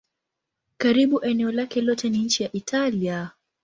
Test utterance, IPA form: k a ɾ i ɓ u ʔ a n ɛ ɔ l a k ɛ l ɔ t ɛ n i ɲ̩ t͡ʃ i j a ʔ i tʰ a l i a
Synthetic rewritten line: k a ɾ i ɓ u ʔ ɛ n ɛ ɔ l a k ɛ l ɔ t ɛ n i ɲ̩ t͡ʃ i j a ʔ i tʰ a l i a